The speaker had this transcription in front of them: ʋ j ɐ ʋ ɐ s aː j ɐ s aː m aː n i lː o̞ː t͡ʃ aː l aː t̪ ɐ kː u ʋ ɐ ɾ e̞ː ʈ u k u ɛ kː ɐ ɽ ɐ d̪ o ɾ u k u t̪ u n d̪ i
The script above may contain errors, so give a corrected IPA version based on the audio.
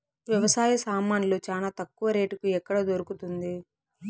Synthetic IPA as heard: ʋ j ɐ ʋ ɐ s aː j ɐ s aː m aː n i l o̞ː t͡ʃ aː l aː t̪ ɐ kː u ʋ ɐ ɾ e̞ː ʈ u k u ɛ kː ɐ ɽ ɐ d̪ o ɾ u k u t̪ u n d̪ i